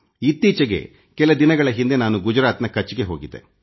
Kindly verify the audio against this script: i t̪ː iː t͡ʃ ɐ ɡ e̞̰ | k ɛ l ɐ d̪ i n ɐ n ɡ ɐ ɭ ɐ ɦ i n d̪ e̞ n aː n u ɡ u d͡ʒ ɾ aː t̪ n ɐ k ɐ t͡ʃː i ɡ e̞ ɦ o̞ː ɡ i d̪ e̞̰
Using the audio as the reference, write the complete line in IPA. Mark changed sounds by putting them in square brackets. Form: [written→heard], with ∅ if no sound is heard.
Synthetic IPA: i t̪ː iː t͡ʃ ɐ ɡ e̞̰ | k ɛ l ɐ d̪ i n ɐ [n→∅] ɡ ɐ ɭ ɐ ɦ i n d̪ e̞ n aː n u ɡ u d͡ʒ ɾ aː t̪ n ɐ k ɐ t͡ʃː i ɡ e̞ ɦ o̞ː ɡ i d̪ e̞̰